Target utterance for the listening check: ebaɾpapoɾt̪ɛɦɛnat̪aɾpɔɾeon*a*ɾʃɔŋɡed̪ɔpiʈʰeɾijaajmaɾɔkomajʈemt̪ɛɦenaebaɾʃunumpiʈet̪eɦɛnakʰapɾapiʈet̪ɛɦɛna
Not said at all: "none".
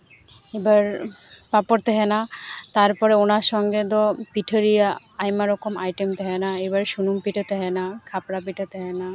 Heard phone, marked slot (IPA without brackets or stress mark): a